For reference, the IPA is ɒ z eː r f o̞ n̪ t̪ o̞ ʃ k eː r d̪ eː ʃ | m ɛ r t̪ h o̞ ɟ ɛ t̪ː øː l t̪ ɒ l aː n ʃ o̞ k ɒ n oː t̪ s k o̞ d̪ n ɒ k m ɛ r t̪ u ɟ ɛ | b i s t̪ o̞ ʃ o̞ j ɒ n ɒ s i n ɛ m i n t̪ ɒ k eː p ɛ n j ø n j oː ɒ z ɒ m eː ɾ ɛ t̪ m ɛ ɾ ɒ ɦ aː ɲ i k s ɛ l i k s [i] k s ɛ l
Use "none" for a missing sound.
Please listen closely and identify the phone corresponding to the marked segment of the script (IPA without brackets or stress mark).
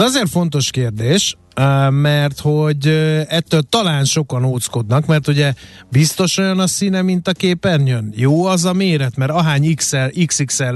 i